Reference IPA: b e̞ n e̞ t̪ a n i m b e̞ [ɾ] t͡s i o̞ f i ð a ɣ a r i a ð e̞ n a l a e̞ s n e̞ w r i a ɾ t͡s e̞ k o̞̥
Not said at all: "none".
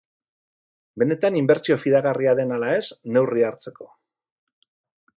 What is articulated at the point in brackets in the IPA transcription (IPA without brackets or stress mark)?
ɾ